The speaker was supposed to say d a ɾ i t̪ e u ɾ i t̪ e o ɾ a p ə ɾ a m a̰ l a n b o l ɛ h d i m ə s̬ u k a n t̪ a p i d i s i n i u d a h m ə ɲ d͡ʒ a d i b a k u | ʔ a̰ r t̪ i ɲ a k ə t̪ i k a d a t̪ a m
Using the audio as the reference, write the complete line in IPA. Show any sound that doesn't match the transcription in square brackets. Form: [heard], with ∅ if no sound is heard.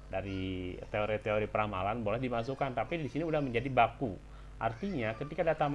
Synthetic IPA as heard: d a ɾ i t̪ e [o] ɾ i t̪ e o ɾ [i] p ə ɾ a m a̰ l a n b o l ɛ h d i m [a] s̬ u k a n t̪ a p i d i s i n i u d a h m ə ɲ d͡ʒ a d i b a k u | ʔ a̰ r t̪ i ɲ a k ə t̪ i k a d a t̪ a m